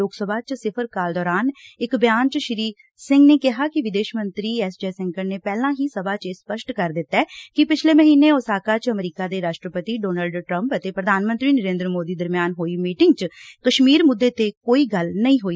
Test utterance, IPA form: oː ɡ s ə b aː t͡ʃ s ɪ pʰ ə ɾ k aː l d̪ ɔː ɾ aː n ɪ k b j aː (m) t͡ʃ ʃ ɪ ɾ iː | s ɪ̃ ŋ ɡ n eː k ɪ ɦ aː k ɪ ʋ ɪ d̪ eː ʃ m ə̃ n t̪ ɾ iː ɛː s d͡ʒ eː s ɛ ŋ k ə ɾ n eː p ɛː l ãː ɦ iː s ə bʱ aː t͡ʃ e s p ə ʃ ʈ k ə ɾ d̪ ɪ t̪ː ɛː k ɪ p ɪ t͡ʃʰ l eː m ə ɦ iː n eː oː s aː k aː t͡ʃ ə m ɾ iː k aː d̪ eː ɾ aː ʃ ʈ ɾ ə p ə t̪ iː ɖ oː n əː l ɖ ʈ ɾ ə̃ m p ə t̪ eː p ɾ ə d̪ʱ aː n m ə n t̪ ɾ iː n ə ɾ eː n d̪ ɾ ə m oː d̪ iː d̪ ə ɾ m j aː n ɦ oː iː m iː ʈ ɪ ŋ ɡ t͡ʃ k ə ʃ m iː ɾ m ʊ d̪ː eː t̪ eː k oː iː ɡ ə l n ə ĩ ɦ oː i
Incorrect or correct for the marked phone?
incorrect: n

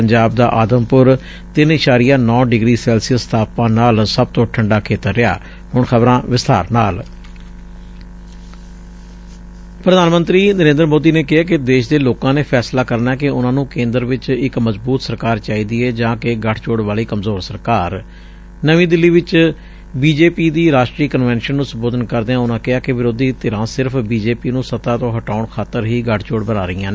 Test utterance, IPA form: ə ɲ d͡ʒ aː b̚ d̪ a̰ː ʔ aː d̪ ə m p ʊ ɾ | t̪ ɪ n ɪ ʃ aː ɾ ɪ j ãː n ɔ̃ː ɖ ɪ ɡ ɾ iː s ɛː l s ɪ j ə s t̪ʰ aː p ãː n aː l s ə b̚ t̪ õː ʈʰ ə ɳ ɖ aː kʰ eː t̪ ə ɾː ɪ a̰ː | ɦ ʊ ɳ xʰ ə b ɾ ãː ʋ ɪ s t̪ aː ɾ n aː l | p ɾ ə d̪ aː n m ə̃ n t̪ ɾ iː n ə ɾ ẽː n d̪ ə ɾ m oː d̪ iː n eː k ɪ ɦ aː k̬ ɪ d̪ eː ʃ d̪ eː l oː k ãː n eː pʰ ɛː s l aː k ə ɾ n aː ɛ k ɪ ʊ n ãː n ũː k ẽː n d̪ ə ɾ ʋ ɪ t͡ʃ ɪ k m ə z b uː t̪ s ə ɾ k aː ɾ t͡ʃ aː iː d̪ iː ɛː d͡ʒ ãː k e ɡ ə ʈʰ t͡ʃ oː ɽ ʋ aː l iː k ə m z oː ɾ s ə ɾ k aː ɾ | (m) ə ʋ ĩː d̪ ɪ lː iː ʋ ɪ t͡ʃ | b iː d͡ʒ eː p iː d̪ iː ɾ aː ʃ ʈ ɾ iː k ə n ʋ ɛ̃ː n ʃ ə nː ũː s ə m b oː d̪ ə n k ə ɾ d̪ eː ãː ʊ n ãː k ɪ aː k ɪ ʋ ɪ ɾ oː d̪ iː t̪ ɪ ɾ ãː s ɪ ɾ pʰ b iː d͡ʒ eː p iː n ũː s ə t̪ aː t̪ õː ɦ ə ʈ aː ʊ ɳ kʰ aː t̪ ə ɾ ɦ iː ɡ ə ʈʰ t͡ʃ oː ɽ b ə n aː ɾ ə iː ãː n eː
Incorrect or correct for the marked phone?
incorrect: n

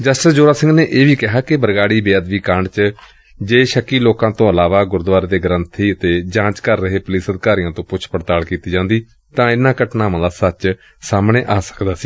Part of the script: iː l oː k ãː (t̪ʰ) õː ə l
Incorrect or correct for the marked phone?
incorrect: t̪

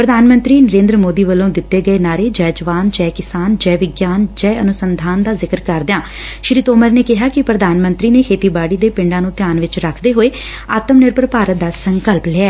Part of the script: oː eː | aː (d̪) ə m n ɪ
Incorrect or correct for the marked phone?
incorrect: t̪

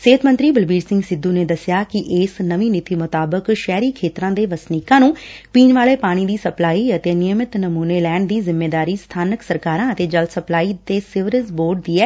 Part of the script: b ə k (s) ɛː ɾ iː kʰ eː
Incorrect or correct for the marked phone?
incorrect: ʃ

